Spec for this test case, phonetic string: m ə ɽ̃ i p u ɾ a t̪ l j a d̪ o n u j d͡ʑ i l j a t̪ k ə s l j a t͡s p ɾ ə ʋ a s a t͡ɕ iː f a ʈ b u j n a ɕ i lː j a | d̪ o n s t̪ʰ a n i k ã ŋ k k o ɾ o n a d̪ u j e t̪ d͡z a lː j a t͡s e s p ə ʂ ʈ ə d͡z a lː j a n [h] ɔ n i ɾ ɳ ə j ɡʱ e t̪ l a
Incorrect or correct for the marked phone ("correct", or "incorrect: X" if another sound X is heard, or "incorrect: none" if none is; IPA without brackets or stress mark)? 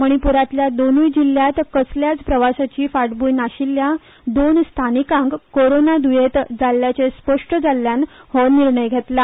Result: correct